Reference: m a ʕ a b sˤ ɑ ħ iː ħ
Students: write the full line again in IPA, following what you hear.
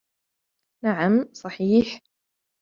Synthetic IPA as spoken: n a ʕ a m sˤ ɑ ħ iː ħ